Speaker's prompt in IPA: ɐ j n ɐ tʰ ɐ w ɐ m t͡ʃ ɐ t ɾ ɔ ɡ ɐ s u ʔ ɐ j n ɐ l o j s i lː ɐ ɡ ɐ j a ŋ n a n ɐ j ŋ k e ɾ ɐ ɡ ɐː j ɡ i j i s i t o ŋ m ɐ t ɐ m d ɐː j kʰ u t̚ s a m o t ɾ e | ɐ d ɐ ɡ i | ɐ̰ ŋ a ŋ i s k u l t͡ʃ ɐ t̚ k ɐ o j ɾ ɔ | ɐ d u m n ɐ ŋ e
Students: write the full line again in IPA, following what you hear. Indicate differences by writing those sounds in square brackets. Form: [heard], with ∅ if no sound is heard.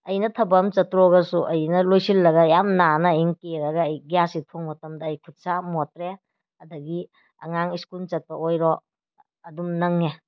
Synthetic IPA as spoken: ɐ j n ɐ tʰ ɐ [b] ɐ m t͡ʃ ɐ t ɾ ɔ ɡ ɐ s u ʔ ɐ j n ɐ l o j s i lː ɐ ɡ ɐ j a [m] n a n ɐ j ŋ k e ɾ ɐ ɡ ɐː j ɡ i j [a] s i [tʰ] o ŋ m ɐ t ɐ m d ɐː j kʰ u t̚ s a m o t ɾ e | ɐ d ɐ ɡ i | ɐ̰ ŋ a ŋ i s k u l t͡ʃ ɐ t̚ [p] ɐ o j ɾ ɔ | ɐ d u m n ɐ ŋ e